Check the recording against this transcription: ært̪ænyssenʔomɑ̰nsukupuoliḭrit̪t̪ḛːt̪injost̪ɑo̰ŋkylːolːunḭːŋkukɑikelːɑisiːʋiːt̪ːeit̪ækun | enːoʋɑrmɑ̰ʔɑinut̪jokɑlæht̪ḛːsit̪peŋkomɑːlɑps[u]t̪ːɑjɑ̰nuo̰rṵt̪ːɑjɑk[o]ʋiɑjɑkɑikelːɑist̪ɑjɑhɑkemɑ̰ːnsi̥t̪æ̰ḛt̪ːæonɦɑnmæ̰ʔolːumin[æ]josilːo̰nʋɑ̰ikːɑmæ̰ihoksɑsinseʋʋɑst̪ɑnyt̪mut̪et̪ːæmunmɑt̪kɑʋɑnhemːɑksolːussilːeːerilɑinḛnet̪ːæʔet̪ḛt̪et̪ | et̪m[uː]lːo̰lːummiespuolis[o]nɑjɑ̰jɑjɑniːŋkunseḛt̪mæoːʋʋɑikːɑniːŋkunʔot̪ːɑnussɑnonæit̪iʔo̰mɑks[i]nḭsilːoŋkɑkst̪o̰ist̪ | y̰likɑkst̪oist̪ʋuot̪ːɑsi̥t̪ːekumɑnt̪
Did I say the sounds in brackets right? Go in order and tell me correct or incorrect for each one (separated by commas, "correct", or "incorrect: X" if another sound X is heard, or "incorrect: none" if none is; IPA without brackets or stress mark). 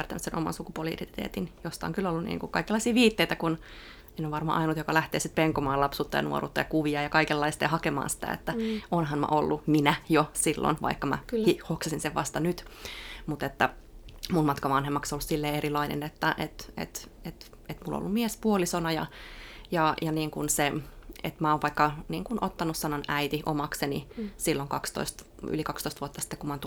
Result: incorrect: uː, incorrect: u, correct, incorrect: u, correct, incorrect: e